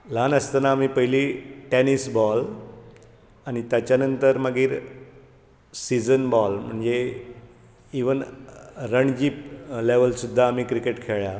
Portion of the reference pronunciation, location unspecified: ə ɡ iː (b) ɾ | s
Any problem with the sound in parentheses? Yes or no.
yes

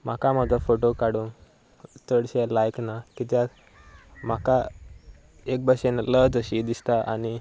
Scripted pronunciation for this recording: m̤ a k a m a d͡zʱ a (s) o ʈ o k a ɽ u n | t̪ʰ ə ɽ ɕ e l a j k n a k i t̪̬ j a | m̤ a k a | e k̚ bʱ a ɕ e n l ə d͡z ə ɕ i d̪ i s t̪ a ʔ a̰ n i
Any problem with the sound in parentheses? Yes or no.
yes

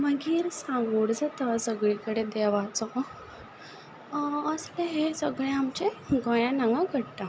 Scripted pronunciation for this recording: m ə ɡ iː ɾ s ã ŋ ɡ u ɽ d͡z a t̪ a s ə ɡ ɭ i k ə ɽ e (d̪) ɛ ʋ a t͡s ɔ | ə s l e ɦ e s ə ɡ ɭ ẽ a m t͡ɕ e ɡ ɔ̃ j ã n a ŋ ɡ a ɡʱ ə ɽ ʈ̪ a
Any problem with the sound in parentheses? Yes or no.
no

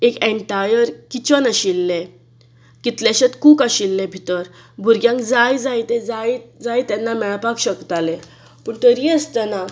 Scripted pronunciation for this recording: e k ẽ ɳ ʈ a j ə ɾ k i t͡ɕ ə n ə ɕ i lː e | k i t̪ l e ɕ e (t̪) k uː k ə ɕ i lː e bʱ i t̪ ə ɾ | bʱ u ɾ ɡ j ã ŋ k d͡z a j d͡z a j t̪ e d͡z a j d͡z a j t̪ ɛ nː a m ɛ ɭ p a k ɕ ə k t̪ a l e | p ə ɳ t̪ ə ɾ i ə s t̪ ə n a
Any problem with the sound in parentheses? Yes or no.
no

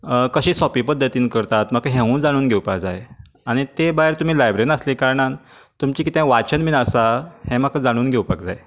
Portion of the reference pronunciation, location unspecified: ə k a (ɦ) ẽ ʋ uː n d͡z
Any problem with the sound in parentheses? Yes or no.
no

